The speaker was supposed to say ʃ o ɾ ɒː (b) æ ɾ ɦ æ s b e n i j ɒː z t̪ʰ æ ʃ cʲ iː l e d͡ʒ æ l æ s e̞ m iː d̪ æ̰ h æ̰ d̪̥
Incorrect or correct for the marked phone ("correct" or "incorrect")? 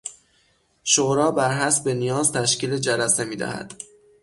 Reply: correct